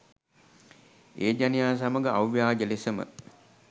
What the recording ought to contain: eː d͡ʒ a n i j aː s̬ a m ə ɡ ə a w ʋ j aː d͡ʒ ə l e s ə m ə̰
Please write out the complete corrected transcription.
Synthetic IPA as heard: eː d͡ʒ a n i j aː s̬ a m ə ɡ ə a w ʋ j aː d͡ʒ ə l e s ə m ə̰